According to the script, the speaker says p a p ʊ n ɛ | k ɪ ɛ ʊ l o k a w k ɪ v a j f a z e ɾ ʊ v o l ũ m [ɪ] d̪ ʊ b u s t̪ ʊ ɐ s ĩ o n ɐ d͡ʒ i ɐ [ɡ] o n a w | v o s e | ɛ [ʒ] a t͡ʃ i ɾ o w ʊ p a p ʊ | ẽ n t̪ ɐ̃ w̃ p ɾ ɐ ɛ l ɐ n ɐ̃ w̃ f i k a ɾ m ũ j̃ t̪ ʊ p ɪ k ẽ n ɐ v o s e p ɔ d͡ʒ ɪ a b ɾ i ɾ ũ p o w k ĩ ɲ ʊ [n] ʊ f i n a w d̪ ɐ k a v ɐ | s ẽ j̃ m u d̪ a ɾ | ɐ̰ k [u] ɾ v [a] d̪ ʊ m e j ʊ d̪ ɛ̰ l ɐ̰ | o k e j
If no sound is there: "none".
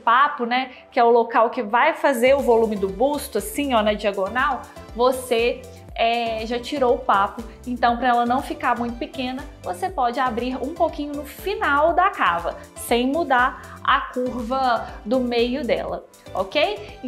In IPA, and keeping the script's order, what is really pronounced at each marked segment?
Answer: ɪ, ɡ, ʒ, n, u, ɐ

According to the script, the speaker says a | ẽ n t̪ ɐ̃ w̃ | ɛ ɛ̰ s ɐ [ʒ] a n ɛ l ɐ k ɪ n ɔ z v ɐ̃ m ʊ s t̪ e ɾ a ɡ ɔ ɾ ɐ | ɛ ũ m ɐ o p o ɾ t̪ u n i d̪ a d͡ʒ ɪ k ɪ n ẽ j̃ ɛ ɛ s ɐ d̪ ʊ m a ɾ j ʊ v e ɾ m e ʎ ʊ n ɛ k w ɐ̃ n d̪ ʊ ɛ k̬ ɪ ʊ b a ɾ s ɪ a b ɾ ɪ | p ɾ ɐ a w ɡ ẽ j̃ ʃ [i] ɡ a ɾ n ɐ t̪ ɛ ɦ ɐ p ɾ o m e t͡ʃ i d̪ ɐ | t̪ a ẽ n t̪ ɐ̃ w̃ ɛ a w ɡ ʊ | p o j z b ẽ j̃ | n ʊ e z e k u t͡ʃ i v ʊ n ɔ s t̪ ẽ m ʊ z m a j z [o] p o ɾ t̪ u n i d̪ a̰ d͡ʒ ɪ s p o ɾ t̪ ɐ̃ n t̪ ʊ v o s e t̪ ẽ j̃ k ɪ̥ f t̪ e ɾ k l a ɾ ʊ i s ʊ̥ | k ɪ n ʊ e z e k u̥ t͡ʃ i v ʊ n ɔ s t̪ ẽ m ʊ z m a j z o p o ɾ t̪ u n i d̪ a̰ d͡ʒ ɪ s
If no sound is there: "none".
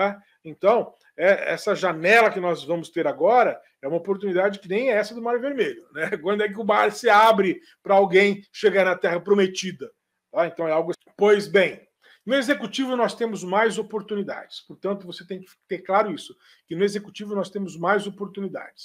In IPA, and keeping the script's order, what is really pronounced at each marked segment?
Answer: ʒ, e, o

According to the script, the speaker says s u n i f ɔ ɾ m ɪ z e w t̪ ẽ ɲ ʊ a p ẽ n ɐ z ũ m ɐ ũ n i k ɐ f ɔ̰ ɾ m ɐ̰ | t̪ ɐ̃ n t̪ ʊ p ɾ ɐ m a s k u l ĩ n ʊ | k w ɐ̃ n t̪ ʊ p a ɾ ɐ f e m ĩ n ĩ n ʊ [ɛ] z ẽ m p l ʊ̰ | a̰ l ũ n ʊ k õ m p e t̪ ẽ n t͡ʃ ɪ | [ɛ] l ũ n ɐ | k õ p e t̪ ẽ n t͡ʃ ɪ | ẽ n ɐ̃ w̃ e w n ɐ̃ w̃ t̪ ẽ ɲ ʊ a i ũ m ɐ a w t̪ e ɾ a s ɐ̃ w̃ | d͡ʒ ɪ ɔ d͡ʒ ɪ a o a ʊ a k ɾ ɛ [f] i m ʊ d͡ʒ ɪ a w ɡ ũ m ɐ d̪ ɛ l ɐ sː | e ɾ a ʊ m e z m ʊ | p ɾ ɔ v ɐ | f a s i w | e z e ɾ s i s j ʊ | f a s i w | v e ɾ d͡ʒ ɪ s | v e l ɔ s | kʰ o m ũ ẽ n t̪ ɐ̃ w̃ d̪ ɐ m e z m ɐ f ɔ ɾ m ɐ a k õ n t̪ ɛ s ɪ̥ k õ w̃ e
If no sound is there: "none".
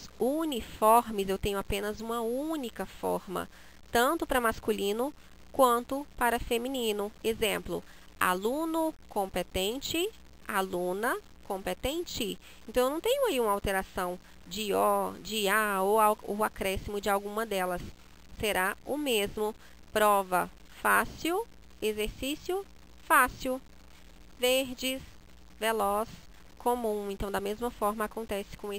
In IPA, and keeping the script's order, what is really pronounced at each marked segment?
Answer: e, a, s

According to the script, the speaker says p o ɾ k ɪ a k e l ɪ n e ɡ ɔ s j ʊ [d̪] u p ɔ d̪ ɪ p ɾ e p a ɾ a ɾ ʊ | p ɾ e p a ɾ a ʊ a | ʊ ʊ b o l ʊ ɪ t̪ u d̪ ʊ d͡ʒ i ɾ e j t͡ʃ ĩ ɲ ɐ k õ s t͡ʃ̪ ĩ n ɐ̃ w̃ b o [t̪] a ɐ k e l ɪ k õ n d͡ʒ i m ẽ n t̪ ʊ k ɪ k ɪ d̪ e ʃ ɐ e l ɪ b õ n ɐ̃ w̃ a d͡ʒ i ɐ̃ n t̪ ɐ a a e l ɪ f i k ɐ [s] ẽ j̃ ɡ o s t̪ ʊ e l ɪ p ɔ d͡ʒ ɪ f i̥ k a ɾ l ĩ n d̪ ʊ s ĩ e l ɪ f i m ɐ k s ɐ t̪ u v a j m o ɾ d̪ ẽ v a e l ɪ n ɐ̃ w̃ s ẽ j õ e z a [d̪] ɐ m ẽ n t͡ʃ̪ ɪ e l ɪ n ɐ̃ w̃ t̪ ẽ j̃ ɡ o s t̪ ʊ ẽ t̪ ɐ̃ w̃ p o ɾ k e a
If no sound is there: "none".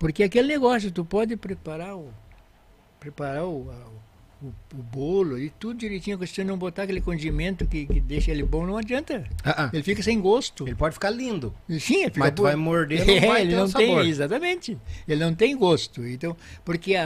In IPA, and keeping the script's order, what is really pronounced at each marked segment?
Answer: t̪, t̪, s, t̪

